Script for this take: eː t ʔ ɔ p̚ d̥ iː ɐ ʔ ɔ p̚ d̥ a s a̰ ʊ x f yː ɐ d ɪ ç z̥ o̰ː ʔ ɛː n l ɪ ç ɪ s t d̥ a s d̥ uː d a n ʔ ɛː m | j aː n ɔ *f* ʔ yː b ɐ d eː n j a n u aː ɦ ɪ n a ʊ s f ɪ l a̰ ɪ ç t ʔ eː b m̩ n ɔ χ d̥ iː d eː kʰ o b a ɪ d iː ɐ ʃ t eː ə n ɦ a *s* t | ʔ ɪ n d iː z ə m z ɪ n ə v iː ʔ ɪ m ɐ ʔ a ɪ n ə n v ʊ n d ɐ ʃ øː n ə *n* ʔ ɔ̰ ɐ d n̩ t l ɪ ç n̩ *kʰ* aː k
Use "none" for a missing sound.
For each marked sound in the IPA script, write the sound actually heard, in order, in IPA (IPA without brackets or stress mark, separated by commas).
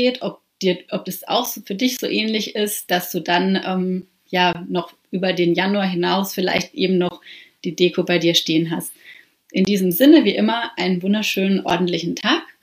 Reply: χ, s, n, tʰ